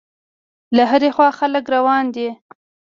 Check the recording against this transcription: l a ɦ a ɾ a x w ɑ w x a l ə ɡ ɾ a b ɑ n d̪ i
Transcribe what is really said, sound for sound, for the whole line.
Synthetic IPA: l a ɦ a ɾ e x w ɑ x a l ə k ɾ a w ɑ n d̪ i